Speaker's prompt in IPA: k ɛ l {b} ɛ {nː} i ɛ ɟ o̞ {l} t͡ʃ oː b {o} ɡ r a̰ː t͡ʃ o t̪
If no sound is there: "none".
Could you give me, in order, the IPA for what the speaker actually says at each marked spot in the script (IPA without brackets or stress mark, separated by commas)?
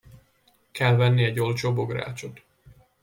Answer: v, nː, l, o